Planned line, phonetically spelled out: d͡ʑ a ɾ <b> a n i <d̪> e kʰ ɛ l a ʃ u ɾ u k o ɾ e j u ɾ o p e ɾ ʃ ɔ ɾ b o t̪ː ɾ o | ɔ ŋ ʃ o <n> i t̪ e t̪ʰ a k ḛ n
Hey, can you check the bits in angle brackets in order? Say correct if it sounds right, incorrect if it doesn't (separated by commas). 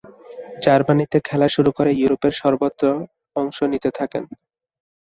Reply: correct, incorrect, correct